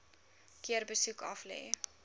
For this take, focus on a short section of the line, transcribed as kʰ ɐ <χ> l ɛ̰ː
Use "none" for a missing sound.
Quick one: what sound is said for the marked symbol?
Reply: f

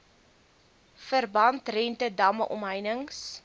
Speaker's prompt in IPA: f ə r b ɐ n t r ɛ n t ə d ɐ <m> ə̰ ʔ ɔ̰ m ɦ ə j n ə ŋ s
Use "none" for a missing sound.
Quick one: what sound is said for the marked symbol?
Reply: m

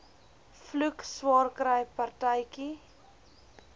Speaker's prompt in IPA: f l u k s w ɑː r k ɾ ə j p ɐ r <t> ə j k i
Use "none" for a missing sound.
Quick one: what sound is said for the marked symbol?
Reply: t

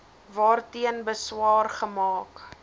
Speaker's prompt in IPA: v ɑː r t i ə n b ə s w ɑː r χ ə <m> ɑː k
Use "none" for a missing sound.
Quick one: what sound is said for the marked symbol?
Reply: m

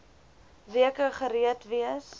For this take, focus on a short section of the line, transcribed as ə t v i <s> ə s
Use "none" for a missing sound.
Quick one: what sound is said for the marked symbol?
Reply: none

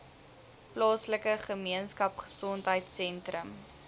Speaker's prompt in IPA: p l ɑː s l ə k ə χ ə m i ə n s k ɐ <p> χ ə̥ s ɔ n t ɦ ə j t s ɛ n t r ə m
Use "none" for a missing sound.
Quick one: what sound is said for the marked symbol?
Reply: p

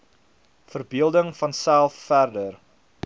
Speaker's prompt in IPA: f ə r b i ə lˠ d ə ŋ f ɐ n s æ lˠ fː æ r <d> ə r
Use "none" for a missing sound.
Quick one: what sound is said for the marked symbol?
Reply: d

